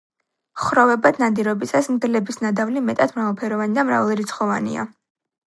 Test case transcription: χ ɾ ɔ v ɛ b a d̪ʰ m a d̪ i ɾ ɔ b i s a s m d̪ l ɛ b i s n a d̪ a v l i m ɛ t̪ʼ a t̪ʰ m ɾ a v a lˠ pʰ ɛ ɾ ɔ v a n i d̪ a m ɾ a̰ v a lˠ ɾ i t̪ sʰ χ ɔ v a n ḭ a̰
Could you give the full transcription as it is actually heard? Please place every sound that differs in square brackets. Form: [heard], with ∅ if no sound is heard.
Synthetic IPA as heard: χ ɾ ɔ v ɛ b a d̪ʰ [n] a d̪ i ɾ ɔ b i s a s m d̪ l ɛ b i s n a d̪ a v l i m ɛ t̪ʼ a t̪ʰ m ɾ a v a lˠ pʰ ɛ ɾ ɔ v a n i d̪ a m ɾ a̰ v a lˠ ɾ i t̪ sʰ χ ɔ v a n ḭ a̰